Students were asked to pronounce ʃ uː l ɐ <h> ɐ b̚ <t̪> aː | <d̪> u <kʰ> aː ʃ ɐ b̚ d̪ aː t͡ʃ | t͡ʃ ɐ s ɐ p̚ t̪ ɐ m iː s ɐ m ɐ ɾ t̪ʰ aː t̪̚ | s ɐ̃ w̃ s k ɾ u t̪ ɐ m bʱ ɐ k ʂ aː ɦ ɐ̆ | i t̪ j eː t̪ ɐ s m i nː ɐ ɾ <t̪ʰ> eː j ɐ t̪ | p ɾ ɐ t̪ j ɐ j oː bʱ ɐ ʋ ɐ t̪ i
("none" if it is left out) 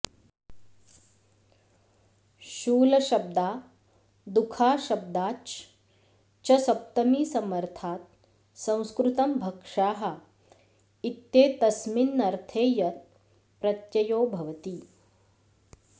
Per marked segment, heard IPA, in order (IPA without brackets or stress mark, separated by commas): ʃ, d̪, d̪, kʰ, t̪ʰ